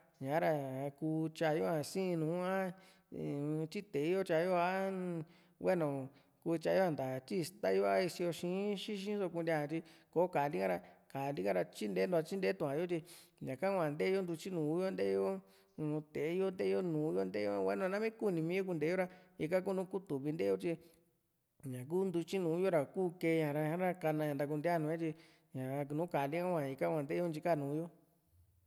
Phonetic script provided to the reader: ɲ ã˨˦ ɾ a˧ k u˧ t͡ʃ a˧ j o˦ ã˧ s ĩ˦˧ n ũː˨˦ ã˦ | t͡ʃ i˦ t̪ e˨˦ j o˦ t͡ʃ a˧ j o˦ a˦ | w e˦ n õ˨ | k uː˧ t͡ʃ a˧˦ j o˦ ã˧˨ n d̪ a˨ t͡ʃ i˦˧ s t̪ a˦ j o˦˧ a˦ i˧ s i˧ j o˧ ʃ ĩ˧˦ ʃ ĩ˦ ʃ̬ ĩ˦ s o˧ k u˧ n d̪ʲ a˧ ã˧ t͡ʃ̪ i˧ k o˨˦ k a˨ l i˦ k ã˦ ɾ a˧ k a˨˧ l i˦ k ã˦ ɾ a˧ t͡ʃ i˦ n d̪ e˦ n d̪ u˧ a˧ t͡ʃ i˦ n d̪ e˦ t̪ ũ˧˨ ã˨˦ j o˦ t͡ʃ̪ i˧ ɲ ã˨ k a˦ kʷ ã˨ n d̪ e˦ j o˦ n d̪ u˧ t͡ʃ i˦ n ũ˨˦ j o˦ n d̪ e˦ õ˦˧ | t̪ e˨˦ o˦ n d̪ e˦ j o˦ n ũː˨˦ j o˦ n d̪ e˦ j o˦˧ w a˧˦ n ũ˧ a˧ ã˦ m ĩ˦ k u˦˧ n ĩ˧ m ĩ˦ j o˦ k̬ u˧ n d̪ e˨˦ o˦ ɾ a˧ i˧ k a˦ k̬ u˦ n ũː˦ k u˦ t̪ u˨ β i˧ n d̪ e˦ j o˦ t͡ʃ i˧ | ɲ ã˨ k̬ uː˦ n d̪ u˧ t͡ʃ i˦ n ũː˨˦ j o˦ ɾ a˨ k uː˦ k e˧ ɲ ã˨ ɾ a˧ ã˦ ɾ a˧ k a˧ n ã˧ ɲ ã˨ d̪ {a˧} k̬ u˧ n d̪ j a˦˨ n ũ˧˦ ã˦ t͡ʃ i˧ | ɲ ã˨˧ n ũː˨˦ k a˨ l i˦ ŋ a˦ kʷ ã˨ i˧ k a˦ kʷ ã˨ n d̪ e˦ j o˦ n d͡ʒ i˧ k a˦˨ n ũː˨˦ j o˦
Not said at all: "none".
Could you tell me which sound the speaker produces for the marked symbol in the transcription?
a˧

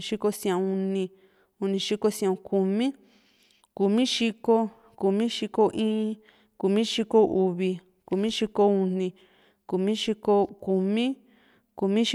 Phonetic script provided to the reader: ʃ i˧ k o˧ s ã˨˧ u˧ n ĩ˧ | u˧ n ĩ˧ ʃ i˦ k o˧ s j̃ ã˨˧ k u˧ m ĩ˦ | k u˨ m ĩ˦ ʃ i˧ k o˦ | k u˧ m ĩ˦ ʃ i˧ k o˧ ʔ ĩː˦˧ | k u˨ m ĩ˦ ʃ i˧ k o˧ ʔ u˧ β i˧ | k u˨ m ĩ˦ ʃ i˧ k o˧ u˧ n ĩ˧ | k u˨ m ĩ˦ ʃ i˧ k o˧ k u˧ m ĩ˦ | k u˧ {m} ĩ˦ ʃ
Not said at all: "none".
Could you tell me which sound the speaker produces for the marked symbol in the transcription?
m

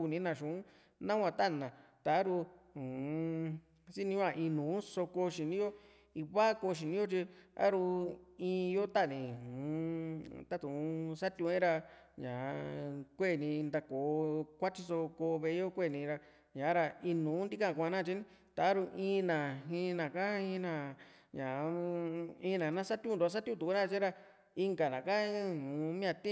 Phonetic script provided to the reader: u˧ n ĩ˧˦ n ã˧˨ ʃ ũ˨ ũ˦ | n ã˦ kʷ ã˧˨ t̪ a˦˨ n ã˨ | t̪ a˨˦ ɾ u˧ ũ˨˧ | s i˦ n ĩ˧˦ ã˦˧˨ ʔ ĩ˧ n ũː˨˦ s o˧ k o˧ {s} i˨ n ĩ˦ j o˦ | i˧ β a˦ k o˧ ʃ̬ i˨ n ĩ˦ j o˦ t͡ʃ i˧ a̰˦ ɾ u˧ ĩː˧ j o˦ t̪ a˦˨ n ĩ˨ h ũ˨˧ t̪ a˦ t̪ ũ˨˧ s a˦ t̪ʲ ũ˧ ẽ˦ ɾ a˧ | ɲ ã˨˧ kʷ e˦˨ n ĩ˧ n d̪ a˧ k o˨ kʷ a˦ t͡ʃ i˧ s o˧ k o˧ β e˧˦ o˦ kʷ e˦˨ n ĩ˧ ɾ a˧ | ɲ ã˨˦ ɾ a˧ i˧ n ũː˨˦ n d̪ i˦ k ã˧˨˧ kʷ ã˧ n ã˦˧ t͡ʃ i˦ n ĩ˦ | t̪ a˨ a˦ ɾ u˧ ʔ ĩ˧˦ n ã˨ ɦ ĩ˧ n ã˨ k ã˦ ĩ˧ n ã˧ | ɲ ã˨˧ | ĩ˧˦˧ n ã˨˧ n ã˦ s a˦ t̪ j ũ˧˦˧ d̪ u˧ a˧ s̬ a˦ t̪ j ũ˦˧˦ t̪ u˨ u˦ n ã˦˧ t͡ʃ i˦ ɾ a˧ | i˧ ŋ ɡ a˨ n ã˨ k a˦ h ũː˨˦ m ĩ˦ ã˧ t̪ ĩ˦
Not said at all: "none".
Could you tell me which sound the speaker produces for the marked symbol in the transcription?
ʃ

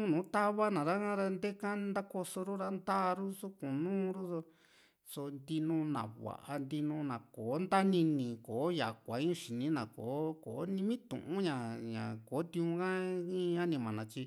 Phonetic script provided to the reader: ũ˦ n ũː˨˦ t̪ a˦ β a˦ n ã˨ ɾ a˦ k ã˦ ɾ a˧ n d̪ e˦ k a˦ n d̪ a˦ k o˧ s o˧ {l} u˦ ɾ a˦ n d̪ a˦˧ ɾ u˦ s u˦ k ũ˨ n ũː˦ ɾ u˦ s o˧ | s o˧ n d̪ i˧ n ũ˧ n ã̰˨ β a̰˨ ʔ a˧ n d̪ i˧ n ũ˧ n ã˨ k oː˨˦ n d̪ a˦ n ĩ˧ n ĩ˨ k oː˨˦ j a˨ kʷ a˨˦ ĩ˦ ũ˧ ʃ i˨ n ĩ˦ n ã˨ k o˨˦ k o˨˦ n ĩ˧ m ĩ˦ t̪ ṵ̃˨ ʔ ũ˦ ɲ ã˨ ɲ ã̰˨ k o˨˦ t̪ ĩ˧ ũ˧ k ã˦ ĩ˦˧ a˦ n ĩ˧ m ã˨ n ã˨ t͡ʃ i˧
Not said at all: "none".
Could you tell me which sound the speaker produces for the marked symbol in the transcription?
ɾ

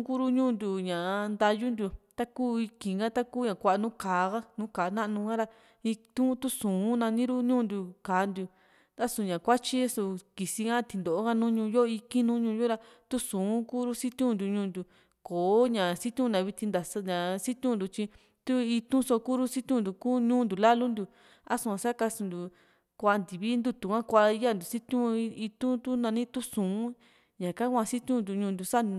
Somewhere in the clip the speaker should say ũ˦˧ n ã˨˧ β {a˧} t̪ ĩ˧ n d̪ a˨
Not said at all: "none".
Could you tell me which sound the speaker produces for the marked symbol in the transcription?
i˧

